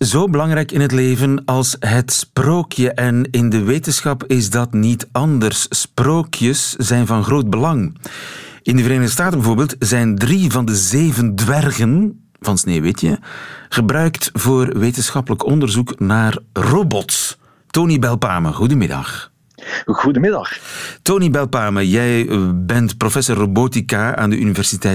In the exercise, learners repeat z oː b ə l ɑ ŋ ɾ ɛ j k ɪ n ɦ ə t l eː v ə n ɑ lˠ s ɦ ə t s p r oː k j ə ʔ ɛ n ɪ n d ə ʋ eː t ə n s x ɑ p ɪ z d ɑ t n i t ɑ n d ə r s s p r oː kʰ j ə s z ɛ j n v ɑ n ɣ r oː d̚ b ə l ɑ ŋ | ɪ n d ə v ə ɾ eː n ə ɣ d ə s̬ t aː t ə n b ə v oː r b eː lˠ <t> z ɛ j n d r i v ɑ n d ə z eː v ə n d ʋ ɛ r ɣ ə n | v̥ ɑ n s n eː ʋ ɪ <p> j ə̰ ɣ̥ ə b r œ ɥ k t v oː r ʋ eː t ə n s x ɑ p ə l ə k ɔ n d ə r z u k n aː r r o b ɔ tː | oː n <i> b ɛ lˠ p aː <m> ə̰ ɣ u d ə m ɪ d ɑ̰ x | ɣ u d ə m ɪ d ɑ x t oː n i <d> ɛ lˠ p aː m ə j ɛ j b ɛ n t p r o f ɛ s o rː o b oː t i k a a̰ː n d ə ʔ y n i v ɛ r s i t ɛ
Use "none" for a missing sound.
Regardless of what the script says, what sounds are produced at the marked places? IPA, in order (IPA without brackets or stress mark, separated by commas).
t, t, i, m, b